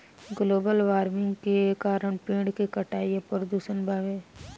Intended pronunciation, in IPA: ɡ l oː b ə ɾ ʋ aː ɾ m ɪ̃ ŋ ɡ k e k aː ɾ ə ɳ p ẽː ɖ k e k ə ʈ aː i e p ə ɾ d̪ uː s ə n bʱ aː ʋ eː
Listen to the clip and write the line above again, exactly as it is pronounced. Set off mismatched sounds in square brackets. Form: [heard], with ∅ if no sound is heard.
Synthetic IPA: ɡ l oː b ə [l] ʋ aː ɾ m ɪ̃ ŋ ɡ k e k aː ɾ ə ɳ p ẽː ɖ k e k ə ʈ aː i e p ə ɾ d̪ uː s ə n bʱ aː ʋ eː